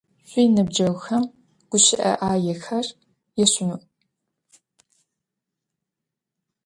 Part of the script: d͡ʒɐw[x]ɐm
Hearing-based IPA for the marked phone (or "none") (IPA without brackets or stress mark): x